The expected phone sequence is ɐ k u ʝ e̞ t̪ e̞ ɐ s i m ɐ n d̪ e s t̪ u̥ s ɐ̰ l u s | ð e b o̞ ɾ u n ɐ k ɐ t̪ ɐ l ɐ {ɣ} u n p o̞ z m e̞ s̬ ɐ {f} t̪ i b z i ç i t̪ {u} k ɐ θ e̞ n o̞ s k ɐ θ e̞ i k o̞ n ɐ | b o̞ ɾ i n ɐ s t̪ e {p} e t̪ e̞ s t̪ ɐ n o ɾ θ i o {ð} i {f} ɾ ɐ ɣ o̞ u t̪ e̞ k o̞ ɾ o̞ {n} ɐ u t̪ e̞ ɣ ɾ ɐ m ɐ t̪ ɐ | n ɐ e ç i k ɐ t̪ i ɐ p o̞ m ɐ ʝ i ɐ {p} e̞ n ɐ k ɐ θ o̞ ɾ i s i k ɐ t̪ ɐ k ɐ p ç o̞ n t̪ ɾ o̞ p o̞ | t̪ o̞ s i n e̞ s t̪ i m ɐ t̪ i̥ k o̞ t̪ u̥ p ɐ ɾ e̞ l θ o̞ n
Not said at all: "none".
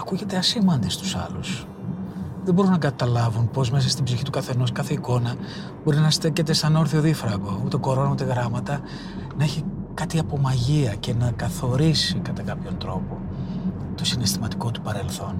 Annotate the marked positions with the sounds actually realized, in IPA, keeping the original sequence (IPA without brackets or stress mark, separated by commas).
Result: v, s, u, c, ð, f, n, c